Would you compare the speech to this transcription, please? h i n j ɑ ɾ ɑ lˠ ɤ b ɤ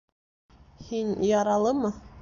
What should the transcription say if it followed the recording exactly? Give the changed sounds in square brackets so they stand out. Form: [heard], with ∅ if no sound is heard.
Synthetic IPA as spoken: h i n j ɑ ɾ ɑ lˠ ɤ [m] ɤ